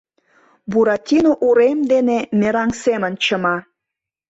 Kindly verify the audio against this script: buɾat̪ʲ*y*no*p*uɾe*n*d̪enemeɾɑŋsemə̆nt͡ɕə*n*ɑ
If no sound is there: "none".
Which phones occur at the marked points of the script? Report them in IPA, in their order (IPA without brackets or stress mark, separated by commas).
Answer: i, ʔ, m, m